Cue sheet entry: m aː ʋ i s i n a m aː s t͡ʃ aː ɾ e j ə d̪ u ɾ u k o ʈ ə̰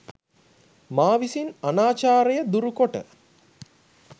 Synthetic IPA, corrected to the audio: m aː ʋ i s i n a n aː t͡ʃ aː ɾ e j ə d̪ u ɾ u k o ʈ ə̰